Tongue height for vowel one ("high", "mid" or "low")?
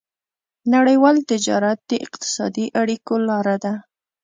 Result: low